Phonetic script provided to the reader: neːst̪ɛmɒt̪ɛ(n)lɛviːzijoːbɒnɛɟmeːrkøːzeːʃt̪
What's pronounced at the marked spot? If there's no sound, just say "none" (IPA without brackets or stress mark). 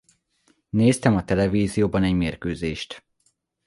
none